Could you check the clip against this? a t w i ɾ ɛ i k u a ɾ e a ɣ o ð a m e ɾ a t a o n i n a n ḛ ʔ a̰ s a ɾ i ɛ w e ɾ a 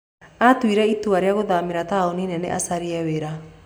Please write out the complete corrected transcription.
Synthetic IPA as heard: a t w i ɾ ɛ i t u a ɾ e a ɣ o ð a m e ɾ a t a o n i n ɛ n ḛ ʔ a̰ s a ɾ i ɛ w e ɾ a